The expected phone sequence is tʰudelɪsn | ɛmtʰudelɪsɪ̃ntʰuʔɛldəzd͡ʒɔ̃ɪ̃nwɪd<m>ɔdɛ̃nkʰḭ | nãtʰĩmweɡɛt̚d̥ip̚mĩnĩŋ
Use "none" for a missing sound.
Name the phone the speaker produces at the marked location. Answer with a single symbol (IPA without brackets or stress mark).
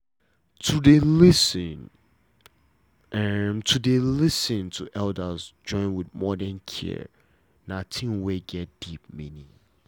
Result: m